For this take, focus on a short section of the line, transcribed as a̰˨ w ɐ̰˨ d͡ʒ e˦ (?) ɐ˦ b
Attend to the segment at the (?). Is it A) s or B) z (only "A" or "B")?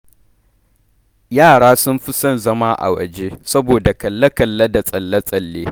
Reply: A